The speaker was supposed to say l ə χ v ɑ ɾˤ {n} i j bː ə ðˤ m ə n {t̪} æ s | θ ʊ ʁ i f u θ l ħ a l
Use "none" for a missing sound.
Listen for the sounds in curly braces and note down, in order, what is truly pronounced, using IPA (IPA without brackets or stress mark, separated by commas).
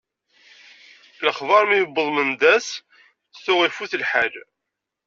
m, d̪